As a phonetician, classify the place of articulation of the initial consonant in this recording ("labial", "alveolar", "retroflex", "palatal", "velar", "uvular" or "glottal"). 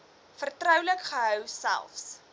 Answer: labial